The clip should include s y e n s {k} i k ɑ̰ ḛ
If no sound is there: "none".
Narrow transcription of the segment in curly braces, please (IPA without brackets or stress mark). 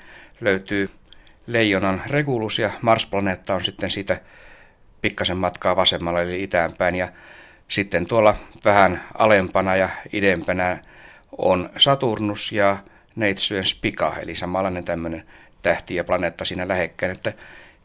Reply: p